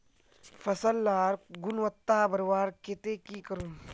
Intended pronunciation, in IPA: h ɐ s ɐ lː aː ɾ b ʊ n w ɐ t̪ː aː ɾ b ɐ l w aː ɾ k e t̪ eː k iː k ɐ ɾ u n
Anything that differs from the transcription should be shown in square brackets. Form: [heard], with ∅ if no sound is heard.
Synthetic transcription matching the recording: [f] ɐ s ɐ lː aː ɾ [ɡ] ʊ n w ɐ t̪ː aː [∅] b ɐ [ɾ] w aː ɾ k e t̪ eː k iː k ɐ ɾ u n